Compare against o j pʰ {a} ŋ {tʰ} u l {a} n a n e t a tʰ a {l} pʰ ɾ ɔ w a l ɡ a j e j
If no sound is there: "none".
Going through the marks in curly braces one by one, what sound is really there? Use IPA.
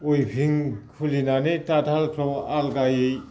i, kʰ, i, l

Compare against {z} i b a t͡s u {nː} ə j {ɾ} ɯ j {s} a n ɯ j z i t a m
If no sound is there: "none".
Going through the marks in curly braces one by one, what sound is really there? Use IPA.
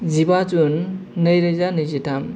z, nː, ɾ, z

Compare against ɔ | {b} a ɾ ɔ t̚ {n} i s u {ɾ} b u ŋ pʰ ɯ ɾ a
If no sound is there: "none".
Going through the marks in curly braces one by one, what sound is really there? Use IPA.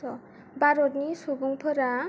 b, n, none

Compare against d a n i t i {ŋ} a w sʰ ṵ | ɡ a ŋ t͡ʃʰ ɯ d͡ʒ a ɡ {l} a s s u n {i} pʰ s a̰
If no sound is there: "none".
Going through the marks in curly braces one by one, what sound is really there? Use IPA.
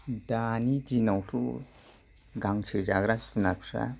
n, ɾ, a

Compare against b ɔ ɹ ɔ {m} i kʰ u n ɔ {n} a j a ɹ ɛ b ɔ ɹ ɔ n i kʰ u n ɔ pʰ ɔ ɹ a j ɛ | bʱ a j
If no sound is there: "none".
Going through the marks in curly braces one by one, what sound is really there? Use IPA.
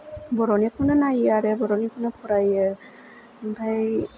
n, n

